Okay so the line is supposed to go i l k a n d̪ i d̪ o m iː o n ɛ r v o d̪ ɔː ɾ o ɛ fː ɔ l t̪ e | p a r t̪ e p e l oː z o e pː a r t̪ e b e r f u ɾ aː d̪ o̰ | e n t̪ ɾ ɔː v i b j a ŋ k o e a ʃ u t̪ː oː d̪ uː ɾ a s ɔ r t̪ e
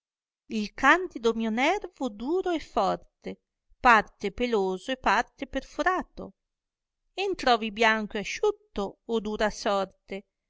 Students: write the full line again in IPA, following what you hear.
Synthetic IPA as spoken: i l k a n d̪ i d̪ o m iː o n ɛ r v o d̪ uː ɾ o ɛ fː ɔ r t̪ e | p a r t̪ e p e l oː z o e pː a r t̪ e p e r f u ɾ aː t̪ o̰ | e n t̪ ɾ ɔː v i b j a ŋ k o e a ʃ u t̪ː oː d̪ uː ɾ a s ɔ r t̪ e